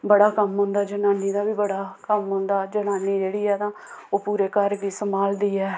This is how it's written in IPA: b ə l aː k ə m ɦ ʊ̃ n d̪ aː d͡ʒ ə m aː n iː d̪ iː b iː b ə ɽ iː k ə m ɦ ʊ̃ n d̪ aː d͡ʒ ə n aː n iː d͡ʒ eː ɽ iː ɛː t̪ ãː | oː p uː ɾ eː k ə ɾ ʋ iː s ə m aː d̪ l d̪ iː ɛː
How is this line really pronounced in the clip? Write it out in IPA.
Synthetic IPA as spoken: b ə ɽ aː k ə m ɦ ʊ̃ n d̪ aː d͡ʒ ə n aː n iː d̪ aː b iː b ə ɽ aː k ə m ɦ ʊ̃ n d̪ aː d͡ʒ ə n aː n iː d͡ʒ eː ɽ iː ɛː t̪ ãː | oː p uː ɾ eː k ə ɾ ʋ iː s ə m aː l d̪ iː ɛː